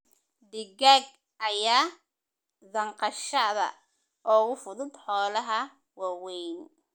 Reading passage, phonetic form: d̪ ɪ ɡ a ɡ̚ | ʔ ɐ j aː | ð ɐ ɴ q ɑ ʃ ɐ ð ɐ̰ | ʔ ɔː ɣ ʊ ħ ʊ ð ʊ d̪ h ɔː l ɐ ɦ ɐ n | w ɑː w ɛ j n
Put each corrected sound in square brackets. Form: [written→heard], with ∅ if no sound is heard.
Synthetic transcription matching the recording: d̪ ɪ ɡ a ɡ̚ | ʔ ɐ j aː | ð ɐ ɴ q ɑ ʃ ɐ ð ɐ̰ | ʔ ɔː ɣ ʊ [ħ→f] ʊ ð ʊ d̪ [h→ħ] ɔː l ɐ ɦ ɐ [n→∅] | w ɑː w ɛ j n